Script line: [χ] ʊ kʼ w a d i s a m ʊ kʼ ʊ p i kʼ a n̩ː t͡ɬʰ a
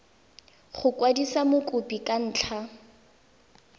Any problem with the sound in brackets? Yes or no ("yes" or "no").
no